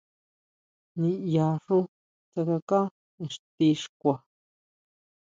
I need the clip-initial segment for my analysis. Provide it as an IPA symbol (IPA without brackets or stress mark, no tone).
n